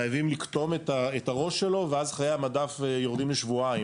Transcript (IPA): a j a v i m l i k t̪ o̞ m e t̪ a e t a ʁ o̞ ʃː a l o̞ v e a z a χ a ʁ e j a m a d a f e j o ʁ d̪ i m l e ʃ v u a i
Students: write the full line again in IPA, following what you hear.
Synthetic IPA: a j a v i m l i k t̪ o̞ m e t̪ a e t a ʁ o̞ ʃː e l o̞ v e a z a χ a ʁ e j a m a d a f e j o ʁ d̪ i m l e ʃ v u a i